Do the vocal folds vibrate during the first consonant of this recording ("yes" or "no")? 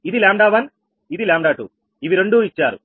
yes